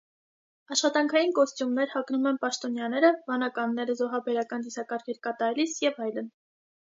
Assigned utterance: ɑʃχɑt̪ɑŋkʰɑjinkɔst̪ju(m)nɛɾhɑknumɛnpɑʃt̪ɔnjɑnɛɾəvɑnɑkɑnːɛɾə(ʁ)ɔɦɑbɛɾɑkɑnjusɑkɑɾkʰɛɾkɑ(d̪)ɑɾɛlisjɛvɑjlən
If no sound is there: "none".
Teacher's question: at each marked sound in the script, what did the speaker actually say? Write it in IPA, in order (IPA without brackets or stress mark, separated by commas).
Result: m, z, t̪